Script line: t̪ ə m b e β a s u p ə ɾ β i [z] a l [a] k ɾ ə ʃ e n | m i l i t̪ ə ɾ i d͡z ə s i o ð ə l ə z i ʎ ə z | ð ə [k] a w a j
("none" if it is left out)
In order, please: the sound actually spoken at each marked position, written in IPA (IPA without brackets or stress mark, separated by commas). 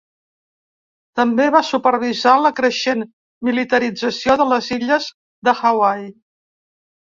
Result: z, ə, x